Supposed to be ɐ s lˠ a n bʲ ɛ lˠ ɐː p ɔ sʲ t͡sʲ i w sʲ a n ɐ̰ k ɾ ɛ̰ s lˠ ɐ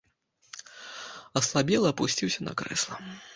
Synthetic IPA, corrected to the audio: ɐ s lˠ a bʲ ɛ lˠ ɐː p u sʲ t͡sʲ i w sʲ ɐ n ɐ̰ k ɾ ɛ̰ s lˠ ɐ